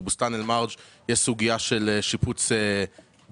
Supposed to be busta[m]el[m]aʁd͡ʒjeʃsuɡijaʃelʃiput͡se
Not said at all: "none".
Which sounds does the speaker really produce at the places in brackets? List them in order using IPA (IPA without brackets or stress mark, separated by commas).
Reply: n, m